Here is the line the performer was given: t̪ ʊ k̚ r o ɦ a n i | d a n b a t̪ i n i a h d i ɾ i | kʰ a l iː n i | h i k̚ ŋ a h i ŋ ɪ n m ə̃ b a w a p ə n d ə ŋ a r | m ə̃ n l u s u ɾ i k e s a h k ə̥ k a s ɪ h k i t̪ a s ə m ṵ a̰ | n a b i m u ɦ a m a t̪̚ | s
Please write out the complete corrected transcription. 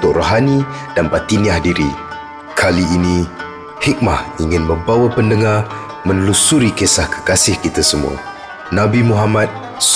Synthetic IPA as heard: t̪ ʊ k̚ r o ɦ a n i | d a n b a t̪ i n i a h d i ɾ i | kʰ a l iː n i | h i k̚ m a h i ŋ ɪ n m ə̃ b a w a p ə n d ə ŋ a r | m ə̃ n l u s u ɾ i k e s a h k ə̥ k a s ɪ h k i t̪ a s ə m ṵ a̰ | n a b i m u ɦ a m a t̪̚ | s